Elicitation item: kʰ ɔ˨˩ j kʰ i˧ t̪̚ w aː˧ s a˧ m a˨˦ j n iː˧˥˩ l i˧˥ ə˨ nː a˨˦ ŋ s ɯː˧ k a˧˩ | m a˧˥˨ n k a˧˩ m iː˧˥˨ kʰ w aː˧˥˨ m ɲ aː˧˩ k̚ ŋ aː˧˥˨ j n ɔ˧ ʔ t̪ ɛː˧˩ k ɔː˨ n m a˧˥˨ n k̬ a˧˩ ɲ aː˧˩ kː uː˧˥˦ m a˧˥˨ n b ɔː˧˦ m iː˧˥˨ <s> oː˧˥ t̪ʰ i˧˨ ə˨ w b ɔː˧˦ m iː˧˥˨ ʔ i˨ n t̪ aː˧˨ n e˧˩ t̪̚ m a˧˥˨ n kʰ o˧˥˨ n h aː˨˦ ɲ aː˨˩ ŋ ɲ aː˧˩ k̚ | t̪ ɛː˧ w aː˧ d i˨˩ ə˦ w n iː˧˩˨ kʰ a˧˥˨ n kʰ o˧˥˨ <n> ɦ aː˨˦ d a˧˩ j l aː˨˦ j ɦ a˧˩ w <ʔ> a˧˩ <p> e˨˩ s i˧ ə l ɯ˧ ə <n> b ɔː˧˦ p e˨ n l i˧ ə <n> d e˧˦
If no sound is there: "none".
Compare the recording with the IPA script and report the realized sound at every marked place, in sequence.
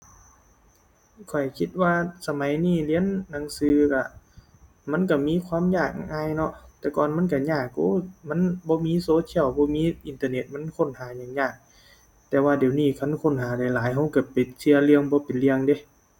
s, n, k, p, ŋ, ŋ

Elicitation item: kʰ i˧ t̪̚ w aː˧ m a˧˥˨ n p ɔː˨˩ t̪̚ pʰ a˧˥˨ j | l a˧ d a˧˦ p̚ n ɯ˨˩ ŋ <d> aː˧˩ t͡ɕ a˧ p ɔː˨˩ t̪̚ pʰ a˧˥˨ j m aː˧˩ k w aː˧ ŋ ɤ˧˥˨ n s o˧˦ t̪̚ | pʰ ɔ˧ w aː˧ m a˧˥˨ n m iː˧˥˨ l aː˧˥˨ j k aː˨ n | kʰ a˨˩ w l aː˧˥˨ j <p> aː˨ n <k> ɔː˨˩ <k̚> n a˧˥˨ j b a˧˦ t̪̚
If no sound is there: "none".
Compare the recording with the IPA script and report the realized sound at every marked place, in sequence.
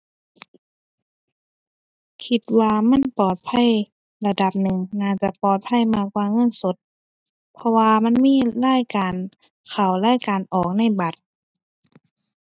n, k, ʔ, k̚

